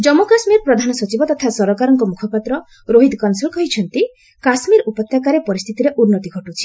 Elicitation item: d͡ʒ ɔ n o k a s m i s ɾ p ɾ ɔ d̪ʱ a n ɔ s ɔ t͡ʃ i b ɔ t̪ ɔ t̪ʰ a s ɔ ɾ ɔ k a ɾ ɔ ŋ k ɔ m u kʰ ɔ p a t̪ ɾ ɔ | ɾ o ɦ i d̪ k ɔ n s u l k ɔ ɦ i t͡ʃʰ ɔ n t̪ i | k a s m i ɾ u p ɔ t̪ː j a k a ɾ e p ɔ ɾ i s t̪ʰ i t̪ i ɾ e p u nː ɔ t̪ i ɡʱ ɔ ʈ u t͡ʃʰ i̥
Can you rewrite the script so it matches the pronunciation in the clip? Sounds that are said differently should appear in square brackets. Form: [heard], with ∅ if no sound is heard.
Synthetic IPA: d͡ʒ ɔ [m] o k a s m i [∅] ɾ p ɾ ɔ d̪ʱ a n ɔ s ɔ t͡ʃ i b ɔ t̪ ɔ t̪ʰ a s ɔ ɾ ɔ k a ɾ ɔ ŋ k ɔ m u kʰ ɔ p a t̪ ɾ ɔ | ɾ o ɦ i d̪ k ɔ n s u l k ɔ ɦ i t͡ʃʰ ɔ n t̪ i | k a s m i ɾ u p ɔ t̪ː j a k a ɾ e p ɔ ɾ i s t̪ʰ i t̪ i ɾ e [ʔ] u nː ɔ t̪ i ɡʱ ɔ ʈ u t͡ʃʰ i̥